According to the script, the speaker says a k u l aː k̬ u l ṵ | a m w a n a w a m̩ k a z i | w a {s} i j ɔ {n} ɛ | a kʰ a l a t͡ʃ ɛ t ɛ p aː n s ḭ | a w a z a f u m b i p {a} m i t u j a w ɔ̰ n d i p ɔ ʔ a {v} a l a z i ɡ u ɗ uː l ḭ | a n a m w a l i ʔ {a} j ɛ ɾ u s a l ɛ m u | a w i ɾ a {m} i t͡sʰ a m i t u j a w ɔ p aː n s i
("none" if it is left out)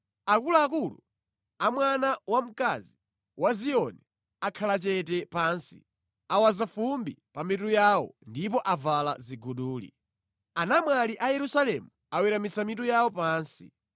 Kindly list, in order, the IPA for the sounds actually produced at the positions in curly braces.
z, n, a, v, a, m

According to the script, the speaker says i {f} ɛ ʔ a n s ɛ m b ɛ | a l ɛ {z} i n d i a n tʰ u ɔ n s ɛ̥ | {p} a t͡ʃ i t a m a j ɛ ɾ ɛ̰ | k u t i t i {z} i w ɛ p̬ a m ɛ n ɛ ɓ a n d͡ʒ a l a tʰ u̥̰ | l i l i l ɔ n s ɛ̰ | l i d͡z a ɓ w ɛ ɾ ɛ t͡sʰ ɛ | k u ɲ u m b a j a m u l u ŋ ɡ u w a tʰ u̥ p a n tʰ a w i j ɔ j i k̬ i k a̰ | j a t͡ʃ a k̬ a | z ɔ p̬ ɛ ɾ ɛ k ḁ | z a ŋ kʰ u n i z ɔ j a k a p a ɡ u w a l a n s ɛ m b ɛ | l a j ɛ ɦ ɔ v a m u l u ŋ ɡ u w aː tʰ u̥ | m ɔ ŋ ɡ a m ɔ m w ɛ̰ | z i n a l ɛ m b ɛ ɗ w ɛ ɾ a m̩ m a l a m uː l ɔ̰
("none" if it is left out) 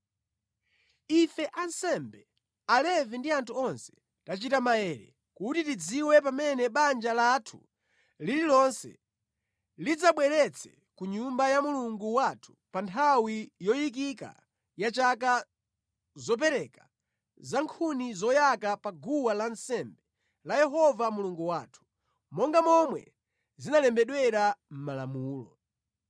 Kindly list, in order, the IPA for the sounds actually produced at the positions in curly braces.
f, v, t, d͡z

